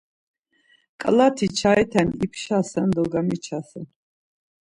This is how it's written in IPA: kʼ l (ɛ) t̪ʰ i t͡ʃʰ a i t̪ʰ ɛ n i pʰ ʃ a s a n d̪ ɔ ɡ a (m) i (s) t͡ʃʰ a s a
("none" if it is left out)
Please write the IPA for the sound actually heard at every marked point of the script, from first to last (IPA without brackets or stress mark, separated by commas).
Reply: a, m, none